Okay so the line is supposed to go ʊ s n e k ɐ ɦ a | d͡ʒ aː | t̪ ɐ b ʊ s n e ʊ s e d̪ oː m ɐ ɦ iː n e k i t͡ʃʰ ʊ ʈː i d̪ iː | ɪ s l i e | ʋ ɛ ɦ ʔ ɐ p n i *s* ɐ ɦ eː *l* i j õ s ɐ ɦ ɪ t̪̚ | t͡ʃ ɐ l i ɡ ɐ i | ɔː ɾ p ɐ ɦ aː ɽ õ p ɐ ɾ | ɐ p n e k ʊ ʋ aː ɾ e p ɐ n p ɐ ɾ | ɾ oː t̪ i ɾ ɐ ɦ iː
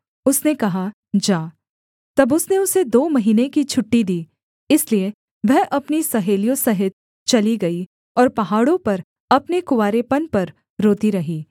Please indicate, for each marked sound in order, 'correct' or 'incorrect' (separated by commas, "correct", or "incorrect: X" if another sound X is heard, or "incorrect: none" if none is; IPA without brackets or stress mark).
correct, correct